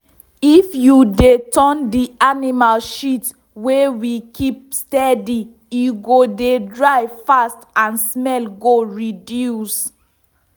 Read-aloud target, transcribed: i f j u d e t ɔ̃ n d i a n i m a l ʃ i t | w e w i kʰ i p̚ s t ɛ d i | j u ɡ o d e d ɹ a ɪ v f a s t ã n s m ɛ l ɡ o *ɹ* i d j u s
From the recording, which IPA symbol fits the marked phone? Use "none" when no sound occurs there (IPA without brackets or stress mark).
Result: ɹ